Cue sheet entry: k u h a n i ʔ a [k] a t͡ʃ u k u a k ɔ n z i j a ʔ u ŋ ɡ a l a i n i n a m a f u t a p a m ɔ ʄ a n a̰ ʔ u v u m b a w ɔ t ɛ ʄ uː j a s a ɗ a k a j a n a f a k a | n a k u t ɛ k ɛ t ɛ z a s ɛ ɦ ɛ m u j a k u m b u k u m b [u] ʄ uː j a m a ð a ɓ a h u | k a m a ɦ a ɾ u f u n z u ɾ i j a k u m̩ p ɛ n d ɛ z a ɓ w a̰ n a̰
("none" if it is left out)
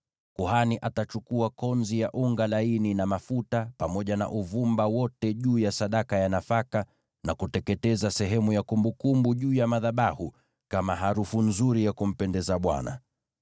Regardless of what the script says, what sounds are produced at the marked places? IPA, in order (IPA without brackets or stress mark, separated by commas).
t, u